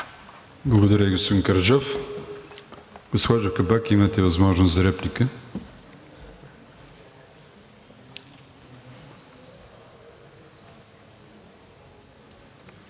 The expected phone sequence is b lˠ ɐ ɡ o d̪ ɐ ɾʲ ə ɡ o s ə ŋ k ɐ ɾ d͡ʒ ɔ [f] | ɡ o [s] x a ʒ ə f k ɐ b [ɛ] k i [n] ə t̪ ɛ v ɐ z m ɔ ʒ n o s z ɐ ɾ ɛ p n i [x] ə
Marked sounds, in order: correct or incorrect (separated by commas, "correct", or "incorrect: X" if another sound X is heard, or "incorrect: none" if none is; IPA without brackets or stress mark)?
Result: correct, correct, incorrect: a, incorrect: m, incorrect: k